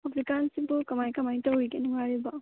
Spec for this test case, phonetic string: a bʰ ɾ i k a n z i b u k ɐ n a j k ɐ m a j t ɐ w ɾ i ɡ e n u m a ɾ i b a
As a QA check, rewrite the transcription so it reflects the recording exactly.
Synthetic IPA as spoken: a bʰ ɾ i k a n s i b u k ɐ m a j k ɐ m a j t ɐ w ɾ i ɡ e n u ŋ a ɾ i b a